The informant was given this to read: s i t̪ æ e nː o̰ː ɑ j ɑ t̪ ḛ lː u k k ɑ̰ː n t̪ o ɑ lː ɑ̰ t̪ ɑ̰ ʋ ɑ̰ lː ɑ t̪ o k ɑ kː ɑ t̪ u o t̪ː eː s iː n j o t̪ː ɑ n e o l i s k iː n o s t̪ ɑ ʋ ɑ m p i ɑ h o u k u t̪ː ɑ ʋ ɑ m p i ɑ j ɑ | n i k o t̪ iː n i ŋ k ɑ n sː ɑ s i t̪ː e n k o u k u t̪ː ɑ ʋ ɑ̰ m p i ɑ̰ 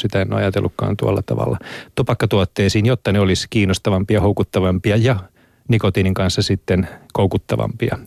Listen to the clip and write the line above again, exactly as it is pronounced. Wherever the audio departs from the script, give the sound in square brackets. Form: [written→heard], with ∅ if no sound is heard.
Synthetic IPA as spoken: s i t̪ æ e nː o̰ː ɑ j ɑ t̪ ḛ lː u k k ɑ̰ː n t̪ [o→u] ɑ lː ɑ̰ t̪ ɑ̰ ʋ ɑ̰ lː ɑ t̪ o [k→p] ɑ kː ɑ t̪ u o t̪ː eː s iː n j o t̪ː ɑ n e o l i s k iː n o s t̪ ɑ ʋ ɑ m p i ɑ h o u k u t̪ː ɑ ʋ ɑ m p i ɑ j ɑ | n i k o t̪ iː n i ŋ k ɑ n sː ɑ s i t̪ː e n k o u k u t̪ː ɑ ʋ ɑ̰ m p i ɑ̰